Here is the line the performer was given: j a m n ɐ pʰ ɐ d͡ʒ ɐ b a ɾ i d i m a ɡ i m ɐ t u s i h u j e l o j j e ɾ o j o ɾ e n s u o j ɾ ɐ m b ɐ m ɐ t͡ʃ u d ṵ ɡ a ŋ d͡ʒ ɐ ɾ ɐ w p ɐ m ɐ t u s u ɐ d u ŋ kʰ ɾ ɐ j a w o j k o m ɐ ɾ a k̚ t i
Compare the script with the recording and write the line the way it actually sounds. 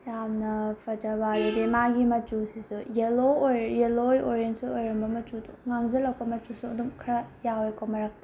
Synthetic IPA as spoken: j a m n ɐ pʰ ɐ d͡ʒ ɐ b a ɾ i d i m a ɡ i m ɐ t u s i s u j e l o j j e l o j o ɾ e n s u o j ɾ ɐ m b ɐ m ɐ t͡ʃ u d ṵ ŋ a ŋ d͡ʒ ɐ l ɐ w p ɐ m ɐ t u s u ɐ d u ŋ kʰ ɾ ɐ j a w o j k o m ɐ ɾ a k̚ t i